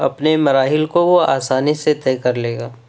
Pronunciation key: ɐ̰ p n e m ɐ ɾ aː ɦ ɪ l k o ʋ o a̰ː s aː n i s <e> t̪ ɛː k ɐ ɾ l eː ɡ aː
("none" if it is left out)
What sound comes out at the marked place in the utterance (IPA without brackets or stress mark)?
e